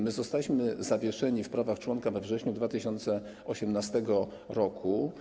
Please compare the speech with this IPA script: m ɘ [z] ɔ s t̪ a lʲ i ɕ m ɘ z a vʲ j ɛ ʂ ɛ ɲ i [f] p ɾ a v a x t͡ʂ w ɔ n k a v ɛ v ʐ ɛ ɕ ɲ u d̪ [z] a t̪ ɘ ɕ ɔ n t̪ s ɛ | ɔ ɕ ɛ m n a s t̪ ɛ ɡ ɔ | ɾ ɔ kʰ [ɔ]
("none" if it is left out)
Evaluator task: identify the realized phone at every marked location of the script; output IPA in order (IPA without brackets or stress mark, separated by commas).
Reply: z, f, v, u